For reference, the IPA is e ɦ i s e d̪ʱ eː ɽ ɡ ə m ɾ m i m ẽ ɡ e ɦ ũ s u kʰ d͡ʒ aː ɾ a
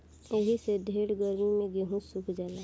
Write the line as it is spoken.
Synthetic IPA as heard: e ɦ i s e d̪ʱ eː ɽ ɡ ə ɾ m i m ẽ ɡ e ɦ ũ s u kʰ d͡ʒ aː l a

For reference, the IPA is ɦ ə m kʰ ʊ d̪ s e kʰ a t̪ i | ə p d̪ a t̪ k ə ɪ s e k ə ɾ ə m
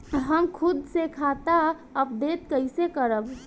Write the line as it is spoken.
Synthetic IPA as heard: ɦ ə m kʰ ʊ d̪ s e kʰ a t̪ a | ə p d̪ e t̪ k ə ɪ s e k ə ɾ ə b

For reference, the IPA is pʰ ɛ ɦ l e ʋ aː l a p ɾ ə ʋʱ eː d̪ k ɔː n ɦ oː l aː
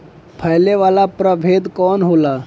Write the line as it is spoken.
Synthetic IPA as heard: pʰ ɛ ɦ l e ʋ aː l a p ɾ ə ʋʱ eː d̪ k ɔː n ɦ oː l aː

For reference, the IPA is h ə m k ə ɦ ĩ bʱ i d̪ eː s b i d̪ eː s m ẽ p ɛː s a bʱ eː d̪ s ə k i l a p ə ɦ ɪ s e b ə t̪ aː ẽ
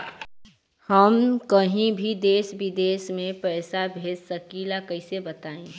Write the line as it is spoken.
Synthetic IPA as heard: h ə m k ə ɦ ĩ bʱ i d̪ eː s b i d̪ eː s m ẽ p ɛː s a bʱ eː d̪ s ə k i l a k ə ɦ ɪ s e b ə t̪ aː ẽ

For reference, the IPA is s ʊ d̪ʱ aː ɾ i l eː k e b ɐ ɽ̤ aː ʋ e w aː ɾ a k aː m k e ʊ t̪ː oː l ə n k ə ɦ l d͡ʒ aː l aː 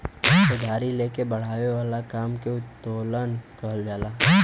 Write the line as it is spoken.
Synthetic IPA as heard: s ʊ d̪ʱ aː ɾ i l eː k e b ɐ ɽ̤ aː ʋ e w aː l a k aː m k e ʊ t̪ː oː l ə n k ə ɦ l d͡ʒ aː l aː

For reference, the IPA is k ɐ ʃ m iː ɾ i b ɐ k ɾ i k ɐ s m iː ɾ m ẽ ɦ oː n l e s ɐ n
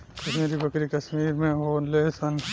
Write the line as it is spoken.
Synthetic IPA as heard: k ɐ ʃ m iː ɾ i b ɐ k ɾ i k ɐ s m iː ɾ m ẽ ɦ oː n l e s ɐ n

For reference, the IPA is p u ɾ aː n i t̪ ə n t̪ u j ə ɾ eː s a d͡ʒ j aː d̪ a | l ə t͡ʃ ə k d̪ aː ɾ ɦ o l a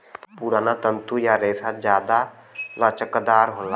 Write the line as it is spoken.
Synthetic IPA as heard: p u ɾ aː n a t̪ ə n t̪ u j a ɾ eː s a d͡ʒ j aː d̪ a | l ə t͡ʃ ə k d̪ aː ɾ ɦ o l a

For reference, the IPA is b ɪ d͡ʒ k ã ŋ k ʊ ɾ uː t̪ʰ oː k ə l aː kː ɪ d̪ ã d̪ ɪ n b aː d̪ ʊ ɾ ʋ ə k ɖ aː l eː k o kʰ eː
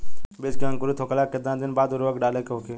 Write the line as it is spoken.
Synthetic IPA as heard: b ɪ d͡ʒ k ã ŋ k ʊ ɾ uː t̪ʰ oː k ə l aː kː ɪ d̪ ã d̪ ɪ n b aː d̪ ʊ ɾ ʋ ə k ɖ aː l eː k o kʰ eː

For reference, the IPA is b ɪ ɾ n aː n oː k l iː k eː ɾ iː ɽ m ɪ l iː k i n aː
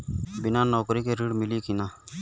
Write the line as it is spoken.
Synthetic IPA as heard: b ɪ n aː n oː k ɾ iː k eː ɾ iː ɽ m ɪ l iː k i n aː

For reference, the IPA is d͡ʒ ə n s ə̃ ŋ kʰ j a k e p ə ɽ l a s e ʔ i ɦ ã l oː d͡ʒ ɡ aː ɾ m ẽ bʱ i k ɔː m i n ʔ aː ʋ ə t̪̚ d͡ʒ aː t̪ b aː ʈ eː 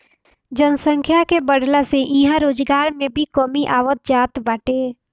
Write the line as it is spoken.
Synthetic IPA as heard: d͡ʒ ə n s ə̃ ŋ kʰ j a k e b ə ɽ l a s e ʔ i ɦ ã ɾ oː d͡ʒ ɡ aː ɾ m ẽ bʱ i k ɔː m i ʔ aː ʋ ə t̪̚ d͡ʒ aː t̪ b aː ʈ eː

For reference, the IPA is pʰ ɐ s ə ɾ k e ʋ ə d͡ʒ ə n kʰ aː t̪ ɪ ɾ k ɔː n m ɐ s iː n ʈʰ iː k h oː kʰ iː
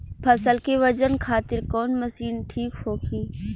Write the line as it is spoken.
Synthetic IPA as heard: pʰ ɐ s ə l k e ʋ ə d͡ʒ ə n kʰ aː t̪ ɪ ɾ k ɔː n m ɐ s iː n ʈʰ iː k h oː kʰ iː

